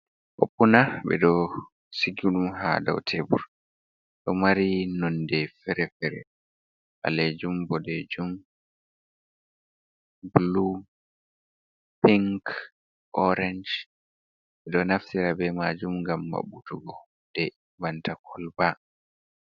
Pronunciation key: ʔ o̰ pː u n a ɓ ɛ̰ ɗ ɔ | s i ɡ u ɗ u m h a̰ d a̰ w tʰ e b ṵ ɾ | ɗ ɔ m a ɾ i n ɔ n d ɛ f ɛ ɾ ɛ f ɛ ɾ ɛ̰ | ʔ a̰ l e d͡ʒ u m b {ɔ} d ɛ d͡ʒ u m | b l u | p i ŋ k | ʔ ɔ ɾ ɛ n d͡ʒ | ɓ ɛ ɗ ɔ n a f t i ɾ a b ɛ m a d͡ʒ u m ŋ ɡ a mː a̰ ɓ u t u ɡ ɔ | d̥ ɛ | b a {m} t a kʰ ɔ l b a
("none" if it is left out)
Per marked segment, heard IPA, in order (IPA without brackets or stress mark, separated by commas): ɔ, n